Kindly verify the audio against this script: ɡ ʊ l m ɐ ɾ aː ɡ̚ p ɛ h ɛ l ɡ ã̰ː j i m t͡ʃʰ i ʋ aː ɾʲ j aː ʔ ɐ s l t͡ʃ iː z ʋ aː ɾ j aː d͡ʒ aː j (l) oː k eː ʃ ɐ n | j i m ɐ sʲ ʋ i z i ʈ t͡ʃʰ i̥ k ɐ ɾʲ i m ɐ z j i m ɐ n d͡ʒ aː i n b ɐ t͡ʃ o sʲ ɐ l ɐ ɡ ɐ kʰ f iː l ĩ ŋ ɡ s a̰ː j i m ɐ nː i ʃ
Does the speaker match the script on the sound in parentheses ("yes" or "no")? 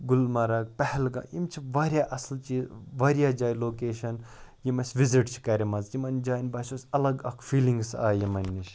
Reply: yes